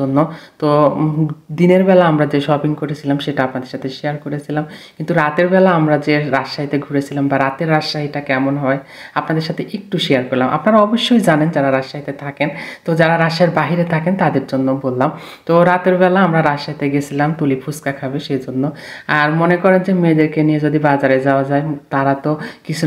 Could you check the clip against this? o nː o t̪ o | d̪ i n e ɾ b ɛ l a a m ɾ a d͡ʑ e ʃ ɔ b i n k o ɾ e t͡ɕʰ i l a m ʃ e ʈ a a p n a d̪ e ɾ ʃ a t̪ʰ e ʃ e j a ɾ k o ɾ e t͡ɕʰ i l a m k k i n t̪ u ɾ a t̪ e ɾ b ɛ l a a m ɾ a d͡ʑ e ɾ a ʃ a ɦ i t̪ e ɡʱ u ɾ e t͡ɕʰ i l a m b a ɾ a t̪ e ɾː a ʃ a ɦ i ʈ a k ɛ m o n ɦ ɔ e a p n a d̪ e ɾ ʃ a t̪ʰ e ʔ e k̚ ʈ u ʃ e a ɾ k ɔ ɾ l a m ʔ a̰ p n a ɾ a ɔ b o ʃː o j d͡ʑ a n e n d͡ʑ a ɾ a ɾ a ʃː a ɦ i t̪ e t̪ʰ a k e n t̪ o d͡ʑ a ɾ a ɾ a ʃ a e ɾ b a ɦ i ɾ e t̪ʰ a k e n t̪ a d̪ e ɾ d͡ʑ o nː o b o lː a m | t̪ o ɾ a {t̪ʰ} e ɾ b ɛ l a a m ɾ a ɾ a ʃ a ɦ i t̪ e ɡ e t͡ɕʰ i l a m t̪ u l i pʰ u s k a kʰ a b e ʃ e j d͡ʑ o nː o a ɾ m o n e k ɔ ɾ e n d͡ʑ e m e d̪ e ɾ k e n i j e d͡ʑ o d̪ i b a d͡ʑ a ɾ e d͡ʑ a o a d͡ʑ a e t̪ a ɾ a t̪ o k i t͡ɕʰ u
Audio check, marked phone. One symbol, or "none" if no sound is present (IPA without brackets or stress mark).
t̪